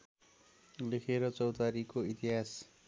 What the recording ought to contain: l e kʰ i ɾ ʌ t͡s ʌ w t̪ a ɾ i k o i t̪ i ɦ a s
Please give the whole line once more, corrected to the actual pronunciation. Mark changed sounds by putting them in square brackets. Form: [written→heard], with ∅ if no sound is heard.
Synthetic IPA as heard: l e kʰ [i→e] ɾ ʌ t͡s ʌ w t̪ a ɾ i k o i t̪ i ɦ a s